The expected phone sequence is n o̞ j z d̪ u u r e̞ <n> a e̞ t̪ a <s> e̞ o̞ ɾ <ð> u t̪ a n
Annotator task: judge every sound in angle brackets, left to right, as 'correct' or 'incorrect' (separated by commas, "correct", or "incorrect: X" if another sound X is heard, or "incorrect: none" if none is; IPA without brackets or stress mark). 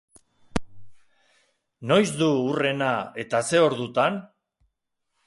correct, correct, correct